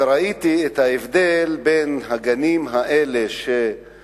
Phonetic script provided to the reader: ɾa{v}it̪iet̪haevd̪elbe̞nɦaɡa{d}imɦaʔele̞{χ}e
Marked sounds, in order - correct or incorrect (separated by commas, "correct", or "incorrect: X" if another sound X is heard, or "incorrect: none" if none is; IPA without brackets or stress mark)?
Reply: incorrect: none, incorrect: n, incorrect: ʃ